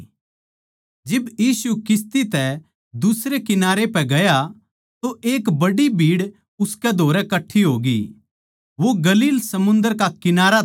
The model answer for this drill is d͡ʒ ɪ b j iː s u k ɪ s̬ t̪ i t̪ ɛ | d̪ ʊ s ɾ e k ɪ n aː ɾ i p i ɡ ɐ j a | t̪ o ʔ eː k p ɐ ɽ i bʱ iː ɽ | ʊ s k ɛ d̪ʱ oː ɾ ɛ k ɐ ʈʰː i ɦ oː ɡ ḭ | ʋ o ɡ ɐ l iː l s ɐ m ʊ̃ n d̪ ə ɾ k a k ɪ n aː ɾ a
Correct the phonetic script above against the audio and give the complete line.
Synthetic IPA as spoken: d͡ʒ ɪ b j iː s u k ɪ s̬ t̪ i t̪ ɛ | d̪ ʊ s ɾ e k ɪ n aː ɾ e p ɛ ɡ ɐ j a | t̪ o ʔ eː k b ɐ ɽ i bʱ iː ɽ | ʊ s k ɛ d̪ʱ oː ɾ ɛ k ɐ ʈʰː i ɦ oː ɡ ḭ | ʋ o ɡ ɐ l iː l s ɐ m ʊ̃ n d̪ ə ɾ k a k ɪ n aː ɾ a